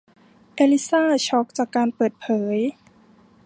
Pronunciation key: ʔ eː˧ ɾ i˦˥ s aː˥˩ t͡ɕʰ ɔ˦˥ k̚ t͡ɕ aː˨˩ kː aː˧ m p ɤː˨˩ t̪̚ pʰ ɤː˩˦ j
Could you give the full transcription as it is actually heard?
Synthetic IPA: ʔ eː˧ l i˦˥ s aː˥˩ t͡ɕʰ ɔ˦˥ k̚ t͡ɕ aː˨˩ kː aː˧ n p ɤː˨˩ t̪̚ pʰ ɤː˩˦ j

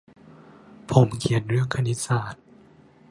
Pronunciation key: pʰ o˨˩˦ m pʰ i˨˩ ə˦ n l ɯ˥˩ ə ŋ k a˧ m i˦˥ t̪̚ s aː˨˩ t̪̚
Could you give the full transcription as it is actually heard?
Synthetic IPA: pʰ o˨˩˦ m kʰ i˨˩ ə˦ n ɾ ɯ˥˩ ə ŋ kʰ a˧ n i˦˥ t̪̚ s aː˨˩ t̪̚

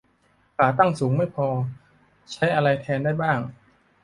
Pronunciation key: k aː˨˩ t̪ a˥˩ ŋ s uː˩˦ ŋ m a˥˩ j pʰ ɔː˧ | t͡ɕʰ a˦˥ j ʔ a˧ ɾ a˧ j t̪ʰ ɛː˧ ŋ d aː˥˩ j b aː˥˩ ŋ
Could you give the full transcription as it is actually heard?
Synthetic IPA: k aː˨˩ t̪ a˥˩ ŋ s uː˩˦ ŋ m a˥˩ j pʰ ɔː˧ | t͡ɕʰ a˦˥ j ʔ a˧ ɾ a˧ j t̪ʰ ɛː˧ n d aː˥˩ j b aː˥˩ ŋ

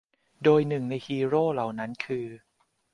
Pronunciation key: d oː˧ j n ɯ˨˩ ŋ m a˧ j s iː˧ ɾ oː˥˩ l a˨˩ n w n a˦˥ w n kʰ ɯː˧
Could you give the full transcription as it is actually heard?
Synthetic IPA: d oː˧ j n ɯ˨˩ ŋ n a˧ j h iː˧ ɾ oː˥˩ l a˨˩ w n a˦˥ n kʰ ɯː˧

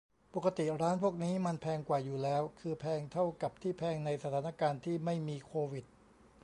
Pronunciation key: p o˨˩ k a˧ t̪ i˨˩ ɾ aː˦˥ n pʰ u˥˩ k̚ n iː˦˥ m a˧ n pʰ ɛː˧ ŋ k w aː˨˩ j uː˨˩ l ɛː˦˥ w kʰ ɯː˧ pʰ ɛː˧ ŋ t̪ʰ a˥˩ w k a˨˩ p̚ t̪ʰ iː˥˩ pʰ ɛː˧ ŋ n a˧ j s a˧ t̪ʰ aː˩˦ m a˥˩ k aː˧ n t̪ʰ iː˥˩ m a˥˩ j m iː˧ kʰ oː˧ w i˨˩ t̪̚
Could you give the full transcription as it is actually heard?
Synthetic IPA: p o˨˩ k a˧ t̪ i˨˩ ɾ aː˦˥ n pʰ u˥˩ k̚ n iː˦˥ m a˧ n pʰ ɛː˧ ŋ k w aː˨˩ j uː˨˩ l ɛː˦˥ w kʰ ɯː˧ pʰ ɛː˧ ŋ t̪ʰ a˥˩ w k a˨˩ p̚ t̪ʰ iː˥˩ pʰ ɛː˧ ŋ n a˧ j s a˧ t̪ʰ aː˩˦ n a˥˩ k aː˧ n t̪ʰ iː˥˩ m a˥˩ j m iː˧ kʰ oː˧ w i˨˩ t̪̚

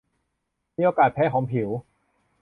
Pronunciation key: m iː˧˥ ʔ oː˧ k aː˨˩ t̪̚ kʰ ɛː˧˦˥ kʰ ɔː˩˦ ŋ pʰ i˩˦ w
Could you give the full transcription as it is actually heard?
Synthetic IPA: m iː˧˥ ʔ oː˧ k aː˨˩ t̪̚ pʰ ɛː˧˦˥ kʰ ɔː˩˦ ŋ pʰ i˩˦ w

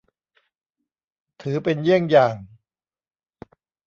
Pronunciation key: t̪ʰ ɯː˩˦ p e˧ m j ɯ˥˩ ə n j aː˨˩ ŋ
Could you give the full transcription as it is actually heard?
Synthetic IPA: t̪ʰ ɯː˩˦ p e˧ n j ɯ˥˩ ə ŋ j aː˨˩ ŋ

